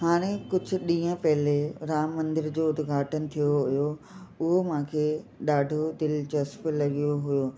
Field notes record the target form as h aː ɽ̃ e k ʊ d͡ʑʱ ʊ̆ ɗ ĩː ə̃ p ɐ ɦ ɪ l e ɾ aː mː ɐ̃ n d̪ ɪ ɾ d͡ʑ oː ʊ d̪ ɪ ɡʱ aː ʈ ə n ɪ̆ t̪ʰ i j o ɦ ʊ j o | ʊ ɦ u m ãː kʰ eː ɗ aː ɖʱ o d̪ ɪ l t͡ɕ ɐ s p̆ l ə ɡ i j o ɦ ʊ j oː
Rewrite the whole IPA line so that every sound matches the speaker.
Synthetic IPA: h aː ɽ̃ e k ʊ d͡ʑʱ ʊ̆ ɗ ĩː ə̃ p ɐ ɦ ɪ l e ɾ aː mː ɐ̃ n d̪ ɪ ɾ d͡ʑ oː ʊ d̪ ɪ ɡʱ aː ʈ ə n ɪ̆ t̪ʰ i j o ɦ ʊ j o | ʊ ɦ o m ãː kʰ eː ɗ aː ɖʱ o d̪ ɪ l t͡ɕ ɐ s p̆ l ɐ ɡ i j o ɦ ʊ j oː